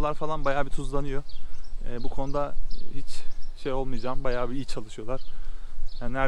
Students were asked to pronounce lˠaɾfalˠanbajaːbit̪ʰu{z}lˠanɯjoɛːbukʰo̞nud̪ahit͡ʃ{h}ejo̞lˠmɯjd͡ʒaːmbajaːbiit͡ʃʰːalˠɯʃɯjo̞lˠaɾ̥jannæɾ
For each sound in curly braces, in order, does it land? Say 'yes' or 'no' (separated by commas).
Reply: yes, no